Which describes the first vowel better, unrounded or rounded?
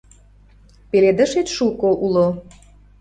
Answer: unrounded